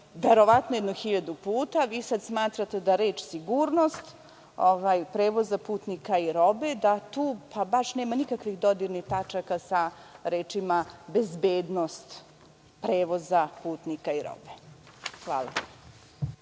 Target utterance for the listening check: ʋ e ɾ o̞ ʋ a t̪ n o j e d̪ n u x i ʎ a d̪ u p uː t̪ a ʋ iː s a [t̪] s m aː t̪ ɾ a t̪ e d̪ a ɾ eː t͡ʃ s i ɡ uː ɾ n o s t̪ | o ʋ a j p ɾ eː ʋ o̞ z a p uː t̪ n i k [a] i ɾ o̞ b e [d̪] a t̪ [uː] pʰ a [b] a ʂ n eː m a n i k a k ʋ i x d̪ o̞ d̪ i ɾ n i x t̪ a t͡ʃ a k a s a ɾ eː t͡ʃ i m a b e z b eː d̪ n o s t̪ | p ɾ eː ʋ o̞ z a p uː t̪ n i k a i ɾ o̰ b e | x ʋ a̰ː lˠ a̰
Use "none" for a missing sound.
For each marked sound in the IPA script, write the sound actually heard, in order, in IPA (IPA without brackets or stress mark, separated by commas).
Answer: d̪, a, d̪, uː, b